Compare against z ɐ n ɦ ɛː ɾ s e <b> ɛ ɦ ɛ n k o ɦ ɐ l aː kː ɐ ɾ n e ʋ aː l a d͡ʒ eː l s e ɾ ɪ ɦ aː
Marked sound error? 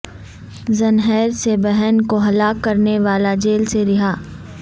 no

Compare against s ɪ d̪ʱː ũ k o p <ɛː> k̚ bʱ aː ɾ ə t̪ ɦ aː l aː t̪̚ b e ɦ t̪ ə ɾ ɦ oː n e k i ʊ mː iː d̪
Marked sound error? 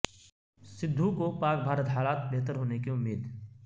yes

